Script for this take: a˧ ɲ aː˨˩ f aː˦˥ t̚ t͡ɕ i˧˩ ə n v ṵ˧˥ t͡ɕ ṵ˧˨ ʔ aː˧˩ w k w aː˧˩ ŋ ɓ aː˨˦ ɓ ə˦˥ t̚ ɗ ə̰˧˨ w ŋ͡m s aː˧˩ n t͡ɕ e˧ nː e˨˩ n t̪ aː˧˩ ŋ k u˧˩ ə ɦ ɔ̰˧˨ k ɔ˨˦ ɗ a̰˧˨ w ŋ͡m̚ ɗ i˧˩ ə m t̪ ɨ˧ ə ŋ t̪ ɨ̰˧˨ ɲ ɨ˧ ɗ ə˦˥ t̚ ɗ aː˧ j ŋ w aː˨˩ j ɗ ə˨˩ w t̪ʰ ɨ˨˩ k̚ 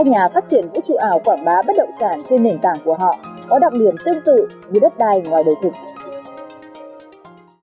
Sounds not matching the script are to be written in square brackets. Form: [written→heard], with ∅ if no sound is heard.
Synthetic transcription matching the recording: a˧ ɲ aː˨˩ f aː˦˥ t̚ t͡ɕ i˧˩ ə n v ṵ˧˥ t͡ɕ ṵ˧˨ ʔ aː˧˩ w k w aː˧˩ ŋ ɓ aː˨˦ ɓ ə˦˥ t̚ ɗ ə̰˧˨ w ŋ͡m s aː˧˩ n t͡ɕ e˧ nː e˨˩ n t̪ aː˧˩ ŋ k u˧˩ ə ɦ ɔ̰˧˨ k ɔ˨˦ ɗ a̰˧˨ w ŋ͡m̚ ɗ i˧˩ ə m t̪ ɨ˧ ə ŋ t̪ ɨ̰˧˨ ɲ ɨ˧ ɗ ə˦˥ t̚ ɗ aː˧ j ŋ w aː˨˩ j ɗ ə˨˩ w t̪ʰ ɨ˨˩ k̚